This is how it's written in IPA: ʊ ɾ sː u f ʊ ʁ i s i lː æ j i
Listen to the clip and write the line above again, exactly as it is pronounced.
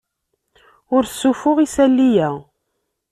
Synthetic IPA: ʊ ɾ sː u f ʊ ʁ i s æ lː i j æ